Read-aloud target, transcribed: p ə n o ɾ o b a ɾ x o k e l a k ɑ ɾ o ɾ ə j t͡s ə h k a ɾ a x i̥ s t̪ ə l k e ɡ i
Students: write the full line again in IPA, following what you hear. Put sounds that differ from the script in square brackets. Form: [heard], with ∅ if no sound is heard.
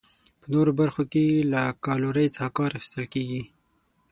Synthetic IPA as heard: p ə n o ɾ o b a ɾ x o k e l a k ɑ [l] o ɾ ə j t͡s [ɑ] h k [ɑ] ɾ a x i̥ s t̪ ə l k e ɡ i